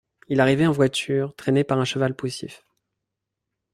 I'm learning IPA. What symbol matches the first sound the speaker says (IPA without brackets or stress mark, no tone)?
i